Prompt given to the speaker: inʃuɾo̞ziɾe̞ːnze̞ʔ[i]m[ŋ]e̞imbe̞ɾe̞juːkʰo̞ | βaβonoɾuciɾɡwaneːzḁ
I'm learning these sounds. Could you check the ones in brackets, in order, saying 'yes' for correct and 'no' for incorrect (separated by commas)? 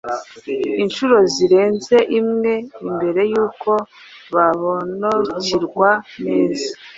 yes, yes